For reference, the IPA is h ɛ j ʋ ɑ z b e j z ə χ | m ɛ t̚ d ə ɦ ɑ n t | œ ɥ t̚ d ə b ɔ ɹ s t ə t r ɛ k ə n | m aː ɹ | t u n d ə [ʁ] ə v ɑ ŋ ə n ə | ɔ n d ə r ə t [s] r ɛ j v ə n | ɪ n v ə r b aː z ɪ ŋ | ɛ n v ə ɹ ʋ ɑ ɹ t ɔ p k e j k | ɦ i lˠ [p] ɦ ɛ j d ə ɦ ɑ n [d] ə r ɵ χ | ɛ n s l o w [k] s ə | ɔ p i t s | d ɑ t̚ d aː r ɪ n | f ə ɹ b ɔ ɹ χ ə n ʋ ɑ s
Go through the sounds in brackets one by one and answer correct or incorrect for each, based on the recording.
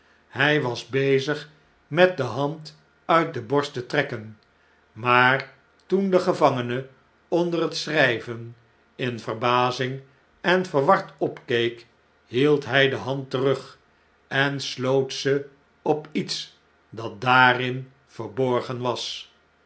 incorrect: χ, correct, incorrect: t, incorrect: t, incorrect: t

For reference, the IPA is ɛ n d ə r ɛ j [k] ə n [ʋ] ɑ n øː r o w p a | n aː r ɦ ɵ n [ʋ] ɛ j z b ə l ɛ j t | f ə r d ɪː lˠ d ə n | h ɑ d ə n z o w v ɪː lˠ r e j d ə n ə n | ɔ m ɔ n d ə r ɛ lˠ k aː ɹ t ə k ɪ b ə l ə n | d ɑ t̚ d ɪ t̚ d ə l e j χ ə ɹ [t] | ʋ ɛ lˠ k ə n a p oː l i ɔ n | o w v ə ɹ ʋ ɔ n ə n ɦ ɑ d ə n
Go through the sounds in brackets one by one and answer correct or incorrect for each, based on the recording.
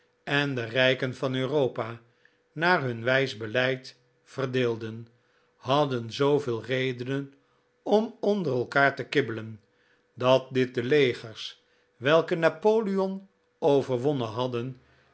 correct, incorrect: v, correct, incorrect: s

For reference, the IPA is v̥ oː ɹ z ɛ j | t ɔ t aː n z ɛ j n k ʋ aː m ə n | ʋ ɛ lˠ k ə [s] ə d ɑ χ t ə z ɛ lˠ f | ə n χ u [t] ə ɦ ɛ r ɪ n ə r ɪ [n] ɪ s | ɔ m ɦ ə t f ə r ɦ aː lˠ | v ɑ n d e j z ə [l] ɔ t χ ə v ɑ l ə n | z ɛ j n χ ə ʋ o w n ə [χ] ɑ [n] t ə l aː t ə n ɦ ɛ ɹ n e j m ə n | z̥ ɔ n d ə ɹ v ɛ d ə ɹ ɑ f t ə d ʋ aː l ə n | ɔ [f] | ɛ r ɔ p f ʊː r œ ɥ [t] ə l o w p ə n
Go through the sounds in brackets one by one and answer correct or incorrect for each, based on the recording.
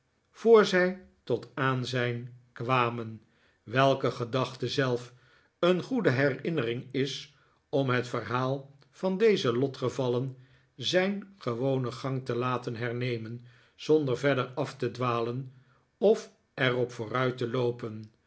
incorrect: χ, incorrect: d, incorrect: ŋ, correct, correct, incorrect: ŋ, correct, correct

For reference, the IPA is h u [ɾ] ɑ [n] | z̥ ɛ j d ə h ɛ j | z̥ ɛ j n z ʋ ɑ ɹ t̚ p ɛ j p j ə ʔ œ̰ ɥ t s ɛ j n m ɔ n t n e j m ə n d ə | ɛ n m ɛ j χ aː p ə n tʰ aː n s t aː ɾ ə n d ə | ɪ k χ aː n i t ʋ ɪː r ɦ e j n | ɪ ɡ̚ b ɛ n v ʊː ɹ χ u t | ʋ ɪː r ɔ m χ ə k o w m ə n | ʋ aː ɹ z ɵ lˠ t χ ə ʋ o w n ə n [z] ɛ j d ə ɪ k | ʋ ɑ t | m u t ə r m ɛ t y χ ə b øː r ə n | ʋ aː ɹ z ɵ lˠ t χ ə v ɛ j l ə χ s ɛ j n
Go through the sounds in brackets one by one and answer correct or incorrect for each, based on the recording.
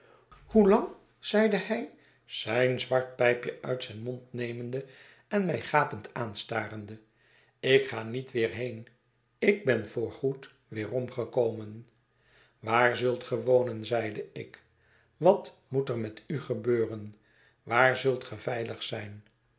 incorrect: l, incorrect: ŋ, correct

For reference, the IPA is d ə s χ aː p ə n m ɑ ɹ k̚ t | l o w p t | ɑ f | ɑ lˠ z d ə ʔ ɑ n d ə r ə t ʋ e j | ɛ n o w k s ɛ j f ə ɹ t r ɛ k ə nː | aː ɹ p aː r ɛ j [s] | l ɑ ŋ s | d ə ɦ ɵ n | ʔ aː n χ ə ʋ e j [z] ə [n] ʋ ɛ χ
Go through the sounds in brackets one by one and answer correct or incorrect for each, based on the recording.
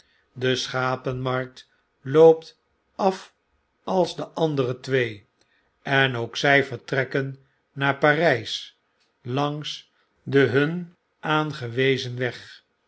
correct, correct, correct

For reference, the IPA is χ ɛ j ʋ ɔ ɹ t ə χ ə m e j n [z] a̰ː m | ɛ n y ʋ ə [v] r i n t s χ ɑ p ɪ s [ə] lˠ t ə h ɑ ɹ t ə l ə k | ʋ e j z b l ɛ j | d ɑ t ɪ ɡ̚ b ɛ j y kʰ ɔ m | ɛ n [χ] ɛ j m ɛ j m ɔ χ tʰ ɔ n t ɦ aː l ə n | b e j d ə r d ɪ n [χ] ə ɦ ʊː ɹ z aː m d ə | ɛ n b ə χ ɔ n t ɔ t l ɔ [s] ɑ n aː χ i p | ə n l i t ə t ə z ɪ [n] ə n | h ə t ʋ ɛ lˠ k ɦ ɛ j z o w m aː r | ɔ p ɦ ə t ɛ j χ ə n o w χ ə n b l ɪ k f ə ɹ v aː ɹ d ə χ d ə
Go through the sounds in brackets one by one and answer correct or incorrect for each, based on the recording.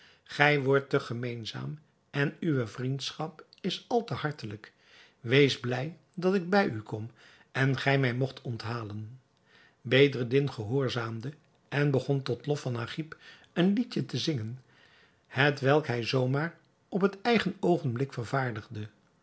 correct, correct, incorrect: ɑ, correct, correct, incorrect: f, incorrect: ŋ

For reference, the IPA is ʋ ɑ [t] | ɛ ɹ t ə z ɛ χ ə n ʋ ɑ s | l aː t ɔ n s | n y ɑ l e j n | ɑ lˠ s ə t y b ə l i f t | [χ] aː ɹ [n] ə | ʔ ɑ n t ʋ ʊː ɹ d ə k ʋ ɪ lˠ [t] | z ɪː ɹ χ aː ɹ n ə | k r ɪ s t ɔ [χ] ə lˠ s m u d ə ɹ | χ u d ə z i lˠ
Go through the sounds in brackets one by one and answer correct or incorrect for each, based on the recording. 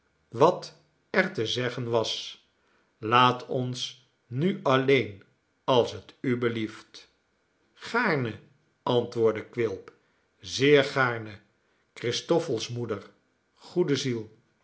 correct, correct, correct, incorrect: p, incorrect: f

